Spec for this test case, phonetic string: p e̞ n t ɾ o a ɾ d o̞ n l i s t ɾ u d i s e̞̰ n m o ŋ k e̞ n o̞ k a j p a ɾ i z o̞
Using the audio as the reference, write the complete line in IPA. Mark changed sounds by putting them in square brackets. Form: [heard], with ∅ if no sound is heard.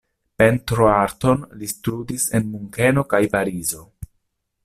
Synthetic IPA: p e̞ n t ɾ o a ɾ [t] o̞ n l i s t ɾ u d i s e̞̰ n m [u] ŋ k e̞ n o̞ k a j p a ɾ i z o̞